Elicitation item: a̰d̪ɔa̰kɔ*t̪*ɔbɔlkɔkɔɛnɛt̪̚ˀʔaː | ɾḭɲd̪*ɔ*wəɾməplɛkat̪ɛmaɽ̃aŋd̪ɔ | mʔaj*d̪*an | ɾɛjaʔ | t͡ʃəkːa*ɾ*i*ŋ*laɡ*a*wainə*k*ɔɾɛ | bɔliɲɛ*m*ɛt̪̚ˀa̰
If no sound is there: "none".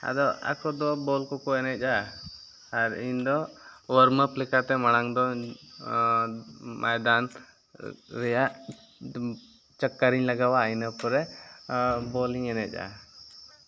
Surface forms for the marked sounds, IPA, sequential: d̪, ɔ, d̪, ɾ, ɲ, a, p, n

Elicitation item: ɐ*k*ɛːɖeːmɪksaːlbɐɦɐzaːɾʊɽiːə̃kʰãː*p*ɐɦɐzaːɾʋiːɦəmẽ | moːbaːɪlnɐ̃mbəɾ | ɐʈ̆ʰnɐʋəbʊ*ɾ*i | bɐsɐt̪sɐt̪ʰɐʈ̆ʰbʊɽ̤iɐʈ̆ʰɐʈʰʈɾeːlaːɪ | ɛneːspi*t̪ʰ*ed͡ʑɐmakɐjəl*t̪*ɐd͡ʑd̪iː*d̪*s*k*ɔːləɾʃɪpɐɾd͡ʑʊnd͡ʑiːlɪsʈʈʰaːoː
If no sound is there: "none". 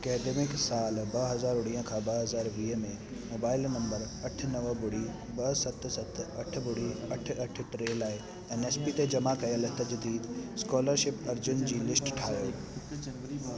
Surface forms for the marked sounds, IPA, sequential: k, b, ɽ, t̪, t̪, d̪, k

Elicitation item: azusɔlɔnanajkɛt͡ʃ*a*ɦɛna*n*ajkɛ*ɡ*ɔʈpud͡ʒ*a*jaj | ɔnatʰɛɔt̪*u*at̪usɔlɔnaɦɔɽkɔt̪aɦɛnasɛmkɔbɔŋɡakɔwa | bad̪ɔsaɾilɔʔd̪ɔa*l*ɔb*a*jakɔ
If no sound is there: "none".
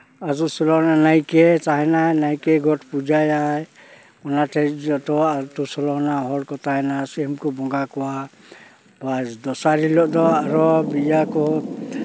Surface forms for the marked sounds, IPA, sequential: a, n, ɡ, a, ɔ, ɾ, i

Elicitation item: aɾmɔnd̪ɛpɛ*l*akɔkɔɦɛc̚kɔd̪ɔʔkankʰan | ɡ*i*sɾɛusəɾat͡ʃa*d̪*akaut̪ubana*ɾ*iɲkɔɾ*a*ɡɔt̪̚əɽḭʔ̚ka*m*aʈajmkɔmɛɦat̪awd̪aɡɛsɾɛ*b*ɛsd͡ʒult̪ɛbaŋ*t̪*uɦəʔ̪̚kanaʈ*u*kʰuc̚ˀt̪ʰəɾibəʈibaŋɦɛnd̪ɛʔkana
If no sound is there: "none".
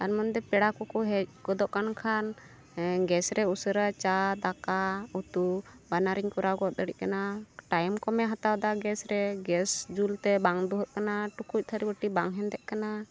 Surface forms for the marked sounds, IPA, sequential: ɽ, ɛ, d̪, ɾ, a, n, ɡ, d̪, u

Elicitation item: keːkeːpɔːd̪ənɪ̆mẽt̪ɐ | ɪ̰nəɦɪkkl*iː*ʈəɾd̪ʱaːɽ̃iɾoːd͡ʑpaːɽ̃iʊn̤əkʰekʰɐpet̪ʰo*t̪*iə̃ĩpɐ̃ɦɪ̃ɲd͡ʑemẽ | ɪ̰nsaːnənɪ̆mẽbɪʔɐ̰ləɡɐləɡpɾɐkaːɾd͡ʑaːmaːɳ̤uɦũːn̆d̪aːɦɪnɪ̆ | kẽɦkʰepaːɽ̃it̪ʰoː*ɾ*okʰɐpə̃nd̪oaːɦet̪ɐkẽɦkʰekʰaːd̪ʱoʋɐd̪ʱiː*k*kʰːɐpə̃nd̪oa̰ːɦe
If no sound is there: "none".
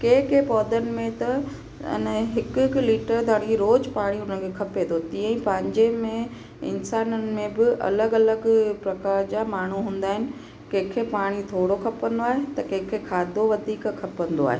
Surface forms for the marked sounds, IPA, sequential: iː, t̪, ɽ, k

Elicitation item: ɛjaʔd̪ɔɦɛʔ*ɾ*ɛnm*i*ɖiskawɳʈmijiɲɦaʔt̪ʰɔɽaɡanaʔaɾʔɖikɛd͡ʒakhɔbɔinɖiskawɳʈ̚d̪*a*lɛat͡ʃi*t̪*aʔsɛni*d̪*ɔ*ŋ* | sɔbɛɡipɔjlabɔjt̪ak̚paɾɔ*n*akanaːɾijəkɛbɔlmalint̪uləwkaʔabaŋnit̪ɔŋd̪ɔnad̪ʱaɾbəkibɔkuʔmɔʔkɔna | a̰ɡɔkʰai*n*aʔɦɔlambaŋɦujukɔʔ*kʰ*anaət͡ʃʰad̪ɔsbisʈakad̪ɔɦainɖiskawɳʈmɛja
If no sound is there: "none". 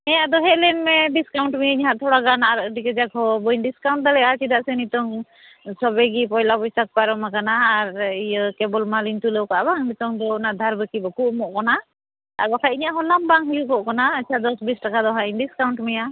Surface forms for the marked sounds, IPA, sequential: l, ɛ, a, d̪, t̪, ŋ, m, ɲ, k

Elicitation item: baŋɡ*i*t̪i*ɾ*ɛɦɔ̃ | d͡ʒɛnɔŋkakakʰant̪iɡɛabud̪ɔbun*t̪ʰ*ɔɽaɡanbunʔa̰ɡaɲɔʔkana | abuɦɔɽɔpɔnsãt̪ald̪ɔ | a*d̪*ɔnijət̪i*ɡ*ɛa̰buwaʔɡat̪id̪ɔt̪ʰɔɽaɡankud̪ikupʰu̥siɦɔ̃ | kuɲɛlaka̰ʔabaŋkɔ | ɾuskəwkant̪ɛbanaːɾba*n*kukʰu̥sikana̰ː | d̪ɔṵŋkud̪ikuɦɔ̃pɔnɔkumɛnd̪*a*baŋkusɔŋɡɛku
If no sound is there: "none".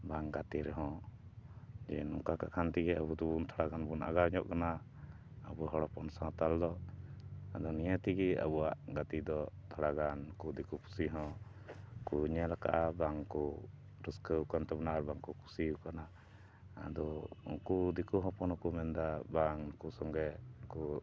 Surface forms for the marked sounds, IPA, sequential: a, ɾ, t̪ʰ, d̪, ɡ, ŋ, a

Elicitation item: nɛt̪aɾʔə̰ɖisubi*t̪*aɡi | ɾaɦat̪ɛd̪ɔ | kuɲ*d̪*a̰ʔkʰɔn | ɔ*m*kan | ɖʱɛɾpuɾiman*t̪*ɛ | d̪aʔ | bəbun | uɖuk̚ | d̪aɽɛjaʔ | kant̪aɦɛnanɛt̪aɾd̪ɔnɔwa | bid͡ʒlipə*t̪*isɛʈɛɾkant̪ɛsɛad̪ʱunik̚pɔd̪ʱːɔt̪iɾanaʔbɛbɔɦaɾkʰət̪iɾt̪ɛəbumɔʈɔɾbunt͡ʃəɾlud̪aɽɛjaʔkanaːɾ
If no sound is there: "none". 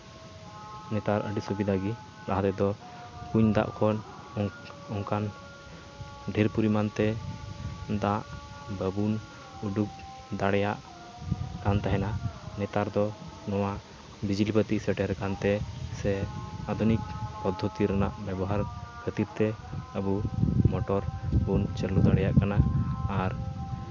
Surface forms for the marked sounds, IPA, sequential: d̪, d̪, ŋ, t̪, t̪

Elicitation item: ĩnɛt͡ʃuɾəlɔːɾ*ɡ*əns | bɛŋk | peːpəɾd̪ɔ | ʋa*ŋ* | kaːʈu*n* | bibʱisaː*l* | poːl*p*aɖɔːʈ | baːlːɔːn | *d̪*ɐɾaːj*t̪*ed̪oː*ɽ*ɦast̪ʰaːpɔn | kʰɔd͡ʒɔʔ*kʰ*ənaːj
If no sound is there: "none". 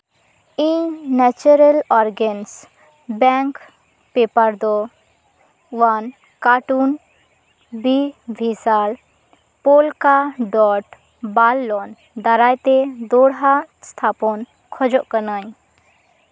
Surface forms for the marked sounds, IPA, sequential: ɡ, n, n, l, k, d̪, t̪, ɽ, k

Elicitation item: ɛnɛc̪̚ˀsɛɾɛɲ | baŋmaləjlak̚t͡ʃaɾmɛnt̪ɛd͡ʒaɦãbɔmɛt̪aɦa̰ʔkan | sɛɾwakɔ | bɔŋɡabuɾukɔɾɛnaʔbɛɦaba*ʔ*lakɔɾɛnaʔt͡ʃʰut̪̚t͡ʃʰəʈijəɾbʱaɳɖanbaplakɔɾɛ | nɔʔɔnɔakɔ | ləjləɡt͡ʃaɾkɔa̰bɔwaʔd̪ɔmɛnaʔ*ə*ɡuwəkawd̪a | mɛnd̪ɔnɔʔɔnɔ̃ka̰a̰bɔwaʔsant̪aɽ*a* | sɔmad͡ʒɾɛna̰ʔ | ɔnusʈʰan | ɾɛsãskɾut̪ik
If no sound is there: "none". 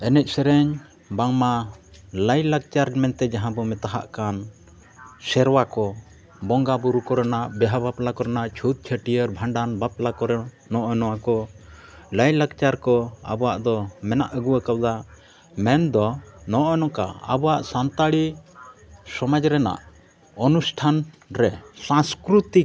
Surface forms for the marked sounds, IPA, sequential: p, ə, i

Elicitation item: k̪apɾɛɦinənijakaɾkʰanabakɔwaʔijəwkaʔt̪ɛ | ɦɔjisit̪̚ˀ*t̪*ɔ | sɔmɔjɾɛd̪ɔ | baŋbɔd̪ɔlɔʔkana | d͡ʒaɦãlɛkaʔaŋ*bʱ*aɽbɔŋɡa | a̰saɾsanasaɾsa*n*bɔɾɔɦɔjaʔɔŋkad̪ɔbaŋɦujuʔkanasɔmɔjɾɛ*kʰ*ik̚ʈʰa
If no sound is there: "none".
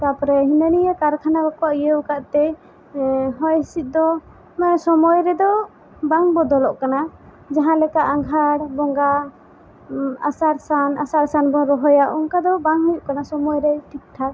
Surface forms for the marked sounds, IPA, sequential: d̪, ɡʱ, n, ʈʰ

